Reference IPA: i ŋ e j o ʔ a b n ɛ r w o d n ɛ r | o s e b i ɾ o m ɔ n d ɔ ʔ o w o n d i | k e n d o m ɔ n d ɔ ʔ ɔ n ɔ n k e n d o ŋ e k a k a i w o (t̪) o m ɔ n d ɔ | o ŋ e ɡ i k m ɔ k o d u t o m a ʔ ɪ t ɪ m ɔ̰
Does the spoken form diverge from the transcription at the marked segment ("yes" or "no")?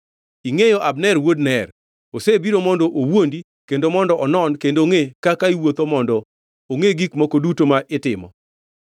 no